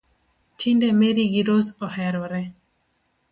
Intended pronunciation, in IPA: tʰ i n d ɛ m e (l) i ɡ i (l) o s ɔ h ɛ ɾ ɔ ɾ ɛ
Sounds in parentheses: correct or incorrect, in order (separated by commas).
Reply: incorrect, incorrect